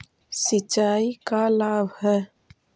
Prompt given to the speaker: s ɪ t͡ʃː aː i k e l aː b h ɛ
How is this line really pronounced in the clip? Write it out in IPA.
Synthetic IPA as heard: s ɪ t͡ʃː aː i k a l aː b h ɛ